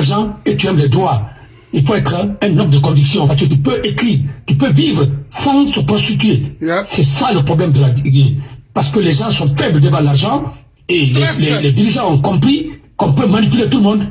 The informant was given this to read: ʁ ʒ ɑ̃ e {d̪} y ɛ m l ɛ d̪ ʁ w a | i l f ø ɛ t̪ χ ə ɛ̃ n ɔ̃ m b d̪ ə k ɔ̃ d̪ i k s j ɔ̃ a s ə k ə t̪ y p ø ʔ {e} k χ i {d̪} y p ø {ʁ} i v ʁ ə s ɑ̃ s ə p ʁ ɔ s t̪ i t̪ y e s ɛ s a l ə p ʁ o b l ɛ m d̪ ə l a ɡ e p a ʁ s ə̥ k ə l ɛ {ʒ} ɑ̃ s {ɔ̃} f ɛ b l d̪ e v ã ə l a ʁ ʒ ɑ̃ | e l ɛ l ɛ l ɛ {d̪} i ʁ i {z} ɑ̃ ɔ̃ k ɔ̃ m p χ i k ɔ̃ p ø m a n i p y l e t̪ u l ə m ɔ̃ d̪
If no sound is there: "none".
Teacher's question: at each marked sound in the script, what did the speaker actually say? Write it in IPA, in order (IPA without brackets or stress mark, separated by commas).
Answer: t̪, e, t̪, v, ʒ, ɔ̃, d̪, ʒ